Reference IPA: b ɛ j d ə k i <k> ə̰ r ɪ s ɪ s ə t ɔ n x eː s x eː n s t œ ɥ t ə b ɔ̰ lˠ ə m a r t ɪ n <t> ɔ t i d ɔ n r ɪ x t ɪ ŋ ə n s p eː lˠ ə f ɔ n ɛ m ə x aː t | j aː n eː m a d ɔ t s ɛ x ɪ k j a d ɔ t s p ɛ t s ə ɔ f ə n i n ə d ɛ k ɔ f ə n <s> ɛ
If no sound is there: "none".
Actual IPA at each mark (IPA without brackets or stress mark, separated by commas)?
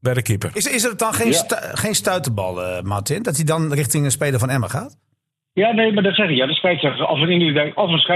p, d, s